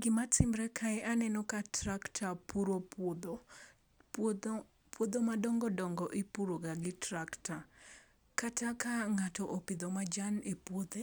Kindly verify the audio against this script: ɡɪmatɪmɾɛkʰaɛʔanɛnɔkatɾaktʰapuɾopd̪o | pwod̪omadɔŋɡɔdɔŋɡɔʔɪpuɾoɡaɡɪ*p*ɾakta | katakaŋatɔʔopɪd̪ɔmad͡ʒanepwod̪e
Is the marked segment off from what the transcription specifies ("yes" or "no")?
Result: yes